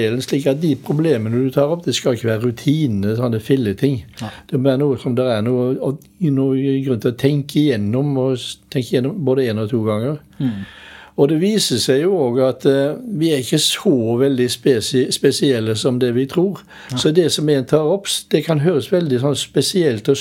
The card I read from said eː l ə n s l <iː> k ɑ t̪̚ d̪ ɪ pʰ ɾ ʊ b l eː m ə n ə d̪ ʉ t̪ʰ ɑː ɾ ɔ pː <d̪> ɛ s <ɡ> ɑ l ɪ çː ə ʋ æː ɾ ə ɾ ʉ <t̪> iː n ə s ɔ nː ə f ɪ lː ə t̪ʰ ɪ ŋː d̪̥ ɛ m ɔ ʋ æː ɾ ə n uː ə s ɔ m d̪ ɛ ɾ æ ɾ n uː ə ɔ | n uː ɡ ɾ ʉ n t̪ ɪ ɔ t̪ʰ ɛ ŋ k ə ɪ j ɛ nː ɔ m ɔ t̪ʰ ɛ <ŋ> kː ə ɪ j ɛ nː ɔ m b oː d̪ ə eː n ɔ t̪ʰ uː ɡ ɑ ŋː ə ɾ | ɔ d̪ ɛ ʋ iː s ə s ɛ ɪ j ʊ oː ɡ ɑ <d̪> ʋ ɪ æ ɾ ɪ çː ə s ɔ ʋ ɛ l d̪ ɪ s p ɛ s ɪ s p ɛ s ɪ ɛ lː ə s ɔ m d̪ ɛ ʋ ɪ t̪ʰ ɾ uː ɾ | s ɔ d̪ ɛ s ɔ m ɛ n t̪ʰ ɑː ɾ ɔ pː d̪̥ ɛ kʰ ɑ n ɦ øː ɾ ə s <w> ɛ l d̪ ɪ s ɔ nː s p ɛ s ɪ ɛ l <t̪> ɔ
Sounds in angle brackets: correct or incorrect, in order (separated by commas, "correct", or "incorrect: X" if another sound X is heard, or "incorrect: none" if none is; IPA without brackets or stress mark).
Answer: correct, correct, incorrect: k, incorrect: t̪ʰ, correct, incorrect: t̪, incorrect: ʋ, correct